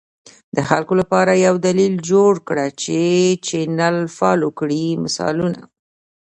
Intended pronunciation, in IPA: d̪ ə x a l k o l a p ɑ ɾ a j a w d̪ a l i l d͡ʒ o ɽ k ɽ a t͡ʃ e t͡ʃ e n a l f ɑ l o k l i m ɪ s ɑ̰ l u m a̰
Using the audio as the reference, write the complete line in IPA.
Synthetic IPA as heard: d̪ ə x a l k o l a p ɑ ɾ a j a w d̪ a l i l d͡ʒ o ɽ k ɽ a t͡ʃ e t͡ʃ e n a l f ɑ l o k ɽ i m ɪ s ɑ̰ l u n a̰